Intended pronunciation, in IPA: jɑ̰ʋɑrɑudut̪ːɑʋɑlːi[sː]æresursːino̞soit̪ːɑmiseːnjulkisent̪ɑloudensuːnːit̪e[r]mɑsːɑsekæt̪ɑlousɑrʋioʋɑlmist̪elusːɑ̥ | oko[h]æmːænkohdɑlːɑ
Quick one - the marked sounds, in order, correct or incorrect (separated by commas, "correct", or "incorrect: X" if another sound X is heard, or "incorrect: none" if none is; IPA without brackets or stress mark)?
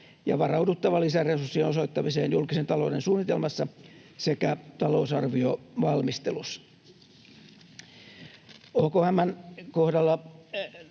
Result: incorrect: s, incorrect: l, correct